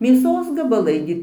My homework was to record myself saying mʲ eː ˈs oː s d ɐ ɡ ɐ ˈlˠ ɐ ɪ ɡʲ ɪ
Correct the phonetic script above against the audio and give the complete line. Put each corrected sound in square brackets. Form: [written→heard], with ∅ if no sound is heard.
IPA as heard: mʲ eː ˈs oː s [d→ɡ] ɐ [ɡ→b] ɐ ˈlˠ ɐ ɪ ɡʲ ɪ

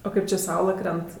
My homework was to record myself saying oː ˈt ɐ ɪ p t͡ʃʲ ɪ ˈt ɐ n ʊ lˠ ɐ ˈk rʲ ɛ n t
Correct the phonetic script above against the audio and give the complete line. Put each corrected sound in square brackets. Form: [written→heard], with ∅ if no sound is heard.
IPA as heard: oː [ˈt→ˈk] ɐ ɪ p t͡ʃʲ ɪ [ˈt→ˈs] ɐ [n→∅] ʊ lˠ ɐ ˈk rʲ ɛ n t

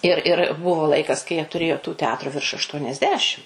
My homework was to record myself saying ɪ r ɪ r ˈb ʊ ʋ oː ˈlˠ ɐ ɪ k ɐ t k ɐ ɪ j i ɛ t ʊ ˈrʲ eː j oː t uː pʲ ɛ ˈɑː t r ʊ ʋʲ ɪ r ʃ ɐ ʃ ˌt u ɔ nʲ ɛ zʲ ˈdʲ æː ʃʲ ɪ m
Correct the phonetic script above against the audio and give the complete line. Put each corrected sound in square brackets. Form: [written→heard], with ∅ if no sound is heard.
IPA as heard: ɪ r ɪ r ˈb ʊ ʋ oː ˈlˠ ɐ ɪ k ɐ [t→s] k ɐ ɪ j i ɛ t ʊ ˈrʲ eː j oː t uː [pʲ→tʲ] ɛ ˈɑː t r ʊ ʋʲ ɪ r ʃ ɐ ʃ ˌt u ɔ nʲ ɛ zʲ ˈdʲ æː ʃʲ ɪ m

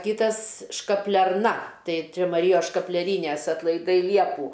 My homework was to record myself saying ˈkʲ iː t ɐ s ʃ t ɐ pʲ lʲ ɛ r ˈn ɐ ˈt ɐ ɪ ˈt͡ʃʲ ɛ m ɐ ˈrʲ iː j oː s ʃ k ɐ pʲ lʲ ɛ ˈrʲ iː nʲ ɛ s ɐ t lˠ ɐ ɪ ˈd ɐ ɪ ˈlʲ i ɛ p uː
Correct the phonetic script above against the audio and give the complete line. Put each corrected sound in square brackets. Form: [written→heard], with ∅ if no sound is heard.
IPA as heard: ˈkʲ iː t ɐ s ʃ [t→k] ɐ pʲ lʲ ɛ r ˈn ɐ ˈt ɐ ɪ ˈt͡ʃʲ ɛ m ɐ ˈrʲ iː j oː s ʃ k ɐ pʲ lʲ ɛ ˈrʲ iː nʲ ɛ s ɐ t lˠ ɐ ɪ ˈd ɐ ɪ ˈlʲ i ɛ p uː

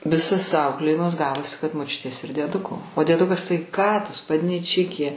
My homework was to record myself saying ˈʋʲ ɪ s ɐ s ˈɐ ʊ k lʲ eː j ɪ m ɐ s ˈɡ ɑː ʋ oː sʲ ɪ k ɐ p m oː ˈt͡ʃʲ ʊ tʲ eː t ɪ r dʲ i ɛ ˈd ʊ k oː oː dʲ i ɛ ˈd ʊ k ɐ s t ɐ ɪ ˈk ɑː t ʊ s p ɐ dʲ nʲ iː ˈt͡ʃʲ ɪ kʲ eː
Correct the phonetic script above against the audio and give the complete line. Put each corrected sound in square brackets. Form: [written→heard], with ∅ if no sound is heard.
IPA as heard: ˈʋʲ ɪ s ɐ s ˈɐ ʊ k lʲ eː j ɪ m ɐ s ˈɡ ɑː ʋ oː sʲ ɪ k ɐ [p→t] m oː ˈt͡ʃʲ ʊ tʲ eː [t→s] ɪ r dʲ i ɛ ˈd ʊ k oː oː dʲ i ɛ ˈd ʊ k ɐ s t ɐ ɪ ˈk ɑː t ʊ s p ɐ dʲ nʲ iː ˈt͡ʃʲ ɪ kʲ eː

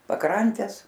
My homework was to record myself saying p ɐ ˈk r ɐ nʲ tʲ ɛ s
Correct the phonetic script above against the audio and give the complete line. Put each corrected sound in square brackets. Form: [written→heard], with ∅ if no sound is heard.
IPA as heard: p ɐ ˈk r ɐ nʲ tʲ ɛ s

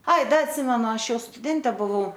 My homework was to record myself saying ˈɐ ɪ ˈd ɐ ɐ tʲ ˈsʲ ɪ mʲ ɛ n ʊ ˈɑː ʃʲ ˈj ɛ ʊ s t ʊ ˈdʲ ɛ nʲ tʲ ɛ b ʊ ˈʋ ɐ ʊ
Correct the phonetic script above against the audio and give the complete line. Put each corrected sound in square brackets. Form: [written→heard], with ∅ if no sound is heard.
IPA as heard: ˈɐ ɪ ˈd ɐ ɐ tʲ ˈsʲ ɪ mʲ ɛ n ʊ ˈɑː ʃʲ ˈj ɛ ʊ s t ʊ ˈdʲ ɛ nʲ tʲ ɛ b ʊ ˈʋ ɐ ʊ

